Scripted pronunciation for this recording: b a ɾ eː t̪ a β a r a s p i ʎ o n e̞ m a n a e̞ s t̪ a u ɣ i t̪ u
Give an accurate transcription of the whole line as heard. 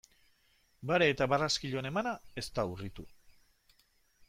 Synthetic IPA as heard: b a ɾ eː t̪ a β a r a s k i ʎ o n e̞ m a n a e̞ s t̪ a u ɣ i t̪ u